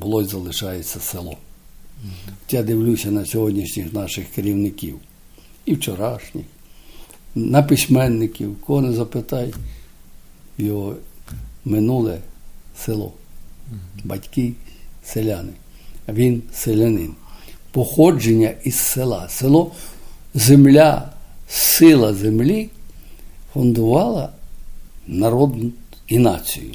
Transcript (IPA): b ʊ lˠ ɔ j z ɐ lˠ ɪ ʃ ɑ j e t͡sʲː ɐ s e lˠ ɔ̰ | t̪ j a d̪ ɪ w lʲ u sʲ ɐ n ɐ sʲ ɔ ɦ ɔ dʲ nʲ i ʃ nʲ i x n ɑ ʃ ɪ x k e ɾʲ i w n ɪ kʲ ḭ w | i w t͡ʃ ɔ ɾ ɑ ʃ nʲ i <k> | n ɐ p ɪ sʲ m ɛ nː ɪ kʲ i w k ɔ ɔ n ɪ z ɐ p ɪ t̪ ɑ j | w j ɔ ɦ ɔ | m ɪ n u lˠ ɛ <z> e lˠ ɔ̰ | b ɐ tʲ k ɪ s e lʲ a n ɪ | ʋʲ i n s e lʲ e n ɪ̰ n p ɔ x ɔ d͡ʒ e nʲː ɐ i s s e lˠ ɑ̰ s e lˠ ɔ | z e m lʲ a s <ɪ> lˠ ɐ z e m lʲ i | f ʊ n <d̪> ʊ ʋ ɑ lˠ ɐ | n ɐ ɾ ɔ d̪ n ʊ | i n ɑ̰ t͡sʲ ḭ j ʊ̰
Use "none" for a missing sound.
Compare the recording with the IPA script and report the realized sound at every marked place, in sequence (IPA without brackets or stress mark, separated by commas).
x, s, ɪ, d̪